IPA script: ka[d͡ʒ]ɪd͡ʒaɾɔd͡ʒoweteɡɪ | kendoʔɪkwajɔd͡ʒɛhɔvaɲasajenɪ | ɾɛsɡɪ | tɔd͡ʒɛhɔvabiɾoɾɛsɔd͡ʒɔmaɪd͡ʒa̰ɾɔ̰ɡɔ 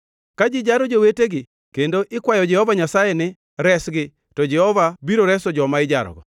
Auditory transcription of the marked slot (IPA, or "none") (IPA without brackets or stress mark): d͡ʒ